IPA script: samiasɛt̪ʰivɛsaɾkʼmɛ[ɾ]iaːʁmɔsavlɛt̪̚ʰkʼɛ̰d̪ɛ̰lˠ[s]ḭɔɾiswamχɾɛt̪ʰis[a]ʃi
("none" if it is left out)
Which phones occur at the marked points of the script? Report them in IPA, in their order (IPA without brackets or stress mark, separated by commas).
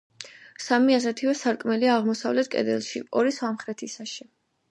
l, ʃ, a